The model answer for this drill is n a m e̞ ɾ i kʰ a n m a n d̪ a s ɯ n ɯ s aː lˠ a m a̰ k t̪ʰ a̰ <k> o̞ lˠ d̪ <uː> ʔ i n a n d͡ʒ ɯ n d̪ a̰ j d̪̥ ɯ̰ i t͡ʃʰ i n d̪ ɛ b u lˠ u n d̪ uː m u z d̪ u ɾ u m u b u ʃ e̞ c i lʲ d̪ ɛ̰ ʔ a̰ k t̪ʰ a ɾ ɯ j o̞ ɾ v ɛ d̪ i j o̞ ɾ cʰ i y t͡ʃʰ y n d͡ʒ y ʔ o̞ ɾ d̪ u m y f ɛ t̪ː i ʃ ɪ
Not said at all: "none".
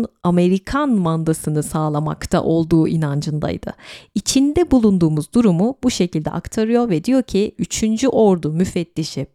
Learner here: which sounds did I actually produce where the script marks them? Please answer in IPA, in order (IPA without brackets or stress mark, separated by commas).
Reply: ʔ, uː